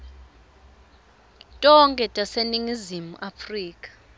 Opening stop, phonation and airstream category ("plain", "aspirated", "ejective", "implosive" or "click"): ejective